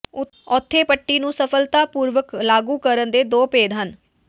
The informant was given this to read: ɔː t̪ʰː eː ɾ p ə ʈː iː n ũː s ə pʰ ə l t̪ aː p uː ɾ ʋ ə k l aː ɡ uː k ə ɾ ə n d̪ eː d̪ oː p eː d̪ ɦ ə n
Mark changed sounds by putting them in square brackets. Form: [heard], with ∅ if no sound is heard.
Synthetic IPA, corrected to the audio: ɔː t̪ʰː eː [∅] p ə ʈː iː n ũː s ə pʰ ə l t̪ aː p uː ɾ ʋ ə k l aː ɡ uː k ə ɾ ə n d̪ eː d̪ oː p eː d̪ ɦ ə n